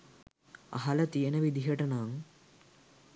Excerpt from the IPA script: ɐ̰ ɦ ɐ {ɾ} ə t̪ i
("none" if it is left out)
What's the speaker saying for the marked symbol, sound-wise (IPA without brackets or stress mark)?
l